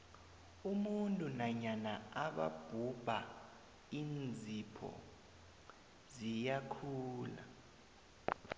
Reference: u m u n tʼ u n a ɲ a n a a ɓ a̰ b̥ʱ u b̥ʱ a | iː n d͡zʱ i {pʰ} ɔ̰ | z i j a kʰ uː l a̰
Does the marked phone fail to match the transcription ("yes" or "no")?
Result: no